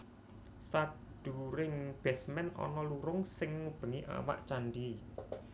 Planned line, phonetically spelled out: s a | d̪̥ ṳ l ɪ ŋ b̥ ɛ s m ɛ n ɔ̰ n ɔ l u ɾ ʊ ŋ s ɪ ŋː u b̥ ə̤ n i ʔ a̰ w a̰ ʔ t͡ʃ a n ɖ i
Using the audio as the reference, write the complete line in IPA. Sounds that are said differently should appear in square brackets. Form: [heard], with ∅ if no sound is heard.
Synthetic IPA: s a | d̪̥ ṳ [ɾ] ɪ ŋ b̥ ɛ s m ɛ n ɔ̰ n ɔ l u ɾ ʊ ŋ s ɪ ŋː u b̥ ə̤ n i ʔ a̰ w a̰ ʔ t͡ʃ a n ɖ i